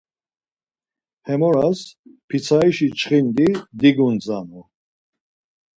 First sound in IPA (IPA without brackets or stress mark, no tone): h